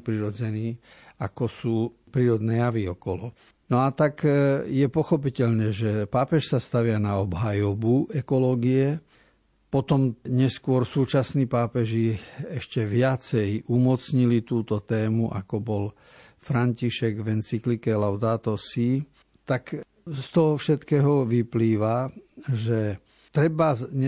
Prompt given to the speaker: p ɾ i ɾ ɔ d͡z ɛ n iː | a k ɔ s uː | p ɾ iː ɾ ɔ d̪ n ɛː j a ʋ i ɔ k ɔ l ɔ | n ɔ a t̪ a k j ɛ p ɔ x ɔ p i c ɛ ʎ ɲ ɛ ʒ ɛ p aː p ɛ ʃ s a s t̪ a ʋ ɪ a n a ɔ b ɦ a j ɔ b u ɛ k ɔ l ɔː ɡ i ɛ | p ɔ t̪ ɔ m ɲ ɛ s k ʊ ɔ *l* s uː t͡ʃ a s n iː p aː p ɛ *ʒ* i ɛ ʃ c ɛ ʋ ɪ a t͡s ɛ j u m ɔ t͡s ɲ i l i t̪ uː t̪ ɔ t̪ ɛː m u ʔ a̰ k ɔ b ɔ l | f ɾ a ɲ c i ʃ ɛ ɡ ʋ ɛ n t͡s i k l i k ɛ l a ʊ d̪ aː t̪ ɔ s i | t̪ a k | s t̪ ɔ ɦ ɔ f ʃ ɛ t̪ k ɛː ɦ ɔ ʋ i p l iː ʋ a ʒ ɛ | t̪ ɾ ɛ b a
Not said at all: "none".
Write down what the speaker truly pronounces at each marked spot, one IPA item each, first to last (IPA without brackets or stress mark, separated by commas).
ɾ, ʒ